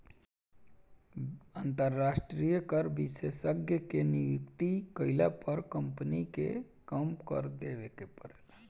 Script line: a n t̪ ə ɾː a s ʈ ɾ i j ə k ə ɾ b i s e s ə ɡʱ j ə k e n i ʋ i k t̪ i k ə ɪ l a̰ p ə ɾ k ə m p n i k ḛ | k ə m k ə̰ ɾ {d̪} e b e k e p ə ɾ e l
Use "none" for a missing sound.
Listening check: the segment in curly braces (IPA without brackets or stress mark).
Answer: d̪